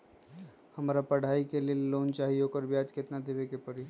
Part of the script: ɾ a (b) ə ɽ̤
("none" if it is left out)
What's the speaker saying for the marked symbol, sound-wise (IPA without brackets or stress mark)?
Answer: p